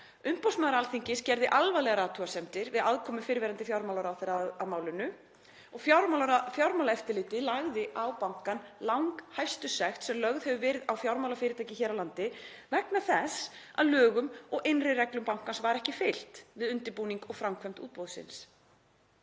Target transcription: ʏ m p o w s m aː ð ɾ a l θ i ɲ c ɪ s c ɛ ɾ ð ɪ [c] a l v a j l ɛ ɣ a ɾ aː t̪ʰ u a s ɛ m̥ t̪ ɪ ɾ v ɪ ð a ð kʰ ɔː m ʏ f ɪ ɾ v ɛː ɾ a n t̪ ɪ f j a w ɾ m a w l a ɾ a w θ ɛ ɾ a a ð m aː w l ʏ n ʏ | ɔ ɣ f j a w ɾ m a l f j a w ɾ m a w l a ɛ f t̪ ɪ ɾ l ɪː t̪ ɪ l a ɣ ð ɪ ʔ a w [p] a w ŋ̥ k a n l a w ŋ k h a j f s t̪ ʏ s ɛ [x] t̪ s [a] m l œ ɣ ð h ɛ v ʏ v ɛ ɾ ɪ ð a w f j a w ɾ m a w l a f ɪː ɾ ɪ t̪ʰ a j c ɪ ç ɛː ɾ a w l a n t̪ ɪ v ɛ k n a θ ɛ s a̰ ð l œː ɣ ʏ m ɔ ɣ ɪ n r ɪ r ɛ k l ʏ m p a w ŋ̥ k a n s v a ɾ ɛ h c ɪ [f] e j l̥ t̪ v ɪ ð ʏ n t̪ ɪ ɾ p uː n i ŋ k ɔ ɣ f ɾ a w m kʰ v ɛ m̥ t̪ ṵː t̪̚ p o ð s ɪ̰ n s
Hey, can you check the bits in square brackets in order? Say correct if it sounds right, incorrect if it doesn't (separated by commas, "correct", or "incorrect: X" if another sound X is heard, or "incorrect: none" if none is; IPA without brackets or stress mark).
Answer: incorrect: ʔ, correct, correct, incorrect: ɛ, correct